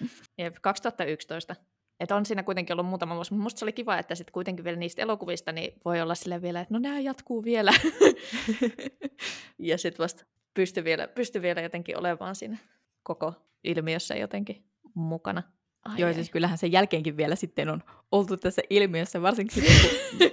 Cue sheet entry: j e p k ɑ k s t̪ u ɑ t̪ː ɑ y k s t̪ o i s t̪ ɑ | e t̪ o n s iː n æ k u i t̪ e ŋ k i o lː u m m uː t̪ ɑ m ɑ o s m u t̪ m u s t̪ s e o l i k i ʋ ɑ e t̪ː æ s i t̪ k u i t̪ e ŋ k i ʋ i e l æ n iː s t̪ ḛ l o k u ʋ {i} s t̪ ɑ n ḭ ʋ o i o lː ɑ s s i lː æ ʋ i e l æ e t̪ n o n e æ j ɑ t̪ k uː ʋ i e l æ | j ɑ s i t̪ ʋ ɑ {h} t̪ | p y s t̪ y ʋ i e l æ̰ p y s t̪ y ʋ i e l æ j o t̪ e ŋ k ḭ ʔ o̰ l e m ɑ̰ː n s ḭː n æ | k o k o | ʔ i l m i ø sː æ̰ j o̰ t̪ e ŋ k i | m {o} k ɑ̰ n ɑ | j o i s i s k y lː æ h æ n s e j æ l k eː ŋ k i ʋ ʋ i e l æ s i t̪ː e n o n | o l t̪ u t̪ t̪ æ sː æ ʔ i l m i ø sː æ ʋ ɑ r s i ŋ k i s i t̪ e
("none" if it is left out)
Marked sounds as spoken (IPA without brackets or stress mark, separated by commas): i, s, u